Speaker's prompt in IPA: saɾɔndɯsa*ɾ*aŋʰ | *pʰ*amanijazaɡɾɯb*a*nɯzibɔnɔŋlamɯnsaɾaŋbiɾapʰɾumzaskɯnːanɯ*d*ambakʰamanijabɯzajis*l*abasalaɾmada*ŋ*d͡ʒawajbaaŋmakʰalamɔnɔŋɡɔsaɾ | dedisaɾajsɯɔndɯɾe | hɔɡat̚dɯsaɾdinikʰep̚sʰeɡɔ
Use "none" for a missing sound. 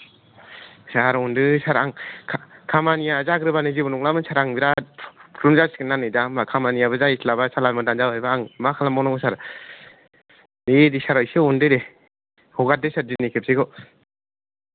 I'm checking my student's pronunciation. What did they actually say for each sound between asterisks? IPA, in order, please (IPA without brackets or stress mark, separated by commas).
ɾ, kʰ, a, d, l, n